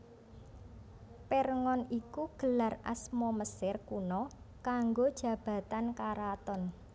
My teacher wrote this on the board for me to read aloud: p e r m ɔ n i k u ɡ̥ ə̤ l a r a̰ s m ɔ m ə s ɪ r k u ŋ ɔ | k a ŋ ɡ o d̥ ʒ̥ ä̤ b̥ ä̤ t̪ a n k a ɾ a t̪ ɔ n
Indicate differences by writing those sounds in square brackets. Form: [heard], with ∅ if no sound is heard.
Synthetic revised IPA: p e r [ŋ] ɔ n i k u ɡ̥ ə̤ l a r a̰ s m ɔ m ə s ɪ r k u [n] ɔ | k a ŋ ɡ o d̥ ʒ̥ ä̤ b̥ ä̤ t̪ a n k a ɾ a t̪ ɔ n